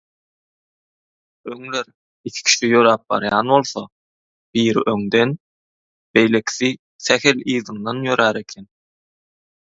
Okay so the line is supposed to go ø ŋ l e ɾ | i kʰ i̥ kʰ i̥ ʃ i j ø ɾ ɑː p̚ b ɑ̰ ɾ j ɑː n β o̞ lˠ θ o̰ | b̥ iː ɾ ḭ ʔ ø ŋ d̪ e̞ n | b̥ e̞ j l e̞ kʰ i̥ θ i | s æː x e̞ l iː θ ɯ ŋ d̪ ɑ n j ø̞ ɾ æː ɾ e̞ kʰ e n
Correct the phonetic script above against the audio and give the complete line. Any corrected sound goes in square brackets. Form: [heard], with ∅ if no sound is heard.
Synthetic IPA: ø ŋ l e ɾ | i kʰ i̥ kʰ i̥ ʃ i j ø ɾ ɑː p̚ b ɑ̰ ɾ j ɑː n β o̞ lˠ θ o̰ | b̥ iː ɾ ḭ ʔ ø ŋ d̪ e̞ n | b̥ e̞ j l e̞ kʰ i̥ θ i | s [æ] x e̞ l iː [ð] ɯ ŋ d̪ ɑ n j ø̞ ɾ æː ɾ e̞ kʰ e n